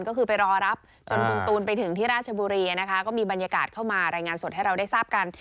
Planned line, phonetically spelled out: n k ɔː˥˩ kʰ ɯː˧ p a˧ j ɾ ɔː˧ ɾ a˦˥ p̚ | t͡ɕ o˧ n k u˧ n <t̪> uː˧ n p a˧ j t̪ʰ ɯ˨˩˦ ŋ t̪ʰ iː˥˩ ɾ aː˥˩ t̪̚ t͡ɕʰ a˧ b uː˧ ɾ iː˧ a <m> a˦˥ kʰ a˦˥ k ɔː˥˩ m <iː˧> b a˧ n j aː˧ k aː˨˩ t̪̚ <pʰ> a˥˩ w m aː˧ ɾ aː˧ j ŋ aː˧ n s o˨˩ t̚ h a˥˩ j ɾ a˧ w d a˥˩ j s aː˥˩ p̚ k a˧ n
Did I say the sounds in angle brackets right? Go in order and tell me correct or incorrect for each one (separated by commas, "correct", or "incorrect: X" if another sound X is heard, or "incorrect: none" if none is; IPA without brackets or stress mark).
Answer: correct, incorrect: n, correct, incorrect: kʰ